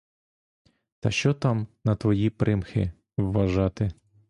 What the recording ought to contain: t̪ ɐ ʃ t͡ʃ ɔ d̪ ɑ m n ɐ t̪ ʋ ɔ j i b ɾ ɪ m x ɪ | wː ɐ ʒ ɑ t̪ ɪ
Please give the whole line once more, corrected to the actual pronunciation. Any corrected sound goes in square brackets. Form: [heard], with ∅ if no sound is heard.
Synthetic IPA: t̪ ɐ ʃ t͡ʃ ɔ [t̪] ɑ m n ɐ t̪ ʋ ɔ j i [p] ɾ ɪ m x ɪ | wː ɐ ʒ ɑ t̪ ɪ